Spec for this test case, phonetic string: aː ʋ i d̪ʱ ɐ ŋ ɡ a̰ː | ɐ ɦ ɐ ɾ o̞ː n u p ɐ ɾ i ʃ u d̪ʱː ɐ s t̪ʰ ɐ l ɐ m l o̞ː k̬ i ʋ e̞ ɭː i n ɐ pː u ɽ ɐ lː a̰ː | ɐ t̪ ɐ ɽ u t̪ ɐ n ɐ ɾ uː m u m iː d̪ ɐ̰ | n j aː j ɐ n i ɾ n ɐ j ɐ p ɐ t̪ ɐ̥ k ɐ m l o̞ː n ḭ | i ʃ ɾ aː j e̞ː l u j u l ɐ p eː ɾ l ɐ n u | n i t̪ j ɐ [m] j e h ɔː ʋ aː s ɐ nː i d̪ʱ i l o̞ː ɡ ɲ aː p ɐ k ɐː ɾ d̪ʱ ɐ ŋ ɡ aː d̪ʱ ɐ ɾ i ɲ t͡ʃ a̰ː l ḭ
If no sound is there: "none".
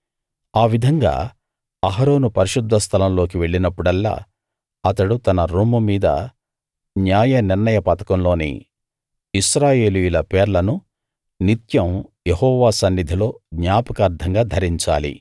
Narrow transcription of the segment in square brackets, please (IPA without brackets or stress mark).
m